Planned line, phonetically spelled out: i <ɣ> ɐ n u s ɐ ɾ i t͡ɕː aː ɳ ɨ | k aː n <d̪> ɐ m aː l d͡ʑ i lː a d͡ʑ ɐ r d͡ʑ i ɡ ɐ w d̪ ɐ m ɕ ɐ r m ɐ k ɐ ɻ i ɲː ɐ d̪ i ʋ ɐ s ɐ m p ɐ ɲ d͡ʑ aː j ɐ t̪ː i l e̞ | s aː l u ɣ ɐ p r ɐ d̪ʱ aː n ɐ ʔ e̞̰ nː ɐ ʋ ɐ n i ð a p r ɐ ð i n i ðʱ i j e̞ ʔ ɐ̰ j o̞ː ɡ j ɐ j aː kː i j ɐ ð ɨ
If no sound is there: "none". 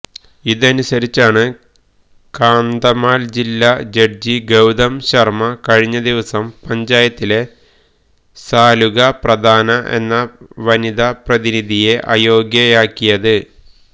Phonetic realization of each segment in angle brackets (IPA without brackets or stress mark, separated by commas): ð, d̪